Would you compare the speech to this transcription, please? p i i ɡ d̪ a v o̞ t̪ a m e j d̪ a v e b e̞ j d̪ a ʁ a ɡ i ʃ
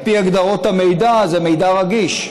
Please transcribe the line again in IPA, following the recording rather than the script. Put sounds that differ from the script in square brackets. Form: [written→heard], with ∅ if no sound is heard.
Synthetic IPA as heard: p i [i→a] ɡ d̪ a [v→ʁ] o̞ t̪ a m e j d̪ a [v→z] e [b→m] e̞ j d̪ a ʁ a ɡ i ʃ